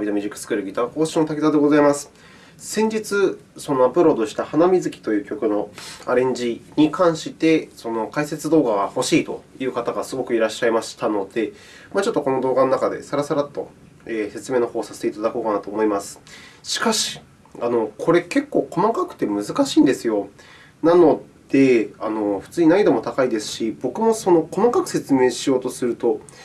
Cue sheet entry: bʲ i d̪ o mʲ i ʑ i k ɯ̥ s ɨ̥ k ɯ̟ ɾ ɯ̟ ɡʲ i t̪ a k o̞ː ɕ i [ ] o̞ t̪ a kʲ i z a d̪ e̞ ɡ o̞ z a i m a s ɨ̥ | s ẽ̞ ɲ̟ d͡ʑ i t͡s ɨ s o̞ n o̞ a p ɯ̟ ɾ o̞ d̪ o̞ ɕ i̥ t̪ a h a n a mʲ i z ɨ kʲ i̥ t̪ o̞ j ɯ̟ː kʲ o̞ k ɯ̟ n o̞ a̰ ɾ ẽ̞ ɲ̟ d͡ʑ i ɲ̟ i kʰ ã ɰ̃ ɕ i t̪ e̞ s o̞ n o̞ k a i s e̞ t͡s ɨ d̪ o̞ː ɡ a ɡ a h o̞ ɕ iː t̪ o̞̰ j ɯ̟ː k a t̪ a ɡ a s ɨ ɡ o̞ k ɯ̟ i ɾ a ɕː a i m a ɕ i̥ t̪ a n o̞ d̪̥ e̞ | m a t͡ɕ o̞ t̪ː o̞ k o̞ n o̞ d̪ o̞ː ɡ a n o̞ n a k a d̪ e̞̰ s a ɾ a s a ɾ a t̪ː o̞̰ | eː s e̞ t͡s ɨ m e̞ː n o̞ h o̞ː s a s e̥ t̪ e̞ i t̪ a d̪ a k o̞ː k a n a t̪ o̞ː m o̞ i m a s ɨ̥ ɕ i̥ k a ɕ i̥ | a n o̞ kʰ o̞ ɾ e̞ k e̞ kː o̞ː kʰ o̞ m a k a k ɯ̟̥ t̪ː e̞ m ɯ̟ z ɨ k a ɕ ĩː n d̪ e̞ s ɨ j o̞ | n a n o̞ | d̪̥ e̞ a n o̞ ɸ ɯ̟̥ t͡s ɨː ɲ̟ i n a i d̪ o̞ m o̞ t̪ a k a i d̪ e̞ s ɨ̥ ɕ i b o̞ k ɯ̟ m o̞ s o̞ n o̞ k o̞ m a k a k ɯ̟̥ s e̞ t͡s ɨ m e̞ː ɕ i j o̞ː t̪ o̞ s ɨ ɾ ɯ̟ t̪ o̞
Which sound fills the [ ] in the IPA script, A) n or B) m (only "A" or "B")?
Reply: A